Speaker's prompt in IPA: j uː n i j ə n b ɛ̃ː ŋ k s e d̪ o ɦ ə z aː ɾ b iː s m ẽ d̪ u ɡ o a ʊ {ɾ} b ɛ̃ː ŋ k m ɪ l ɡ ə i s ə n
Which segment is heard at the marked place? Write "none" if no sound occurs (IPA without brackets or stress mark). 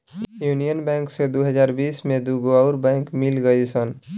ɾ